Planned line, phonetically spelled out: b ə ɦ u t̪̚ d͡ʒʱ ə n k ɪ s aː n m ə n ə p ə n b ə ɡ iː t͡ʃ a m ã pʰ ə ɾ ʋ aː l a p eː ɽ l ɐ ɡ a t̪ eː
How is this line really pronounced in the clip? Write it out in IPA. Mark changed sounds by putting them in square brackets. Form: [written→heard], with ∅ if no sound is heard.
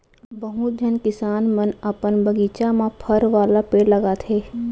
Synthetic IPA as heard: b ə ɦ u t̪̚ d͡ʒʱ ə n k ɪ s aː n m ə n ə p ə n b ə ɡ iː t͡ʃ a m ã pʰ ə ɾ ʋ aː l a p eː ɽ l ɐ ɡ a [t̪→t̪ʰ] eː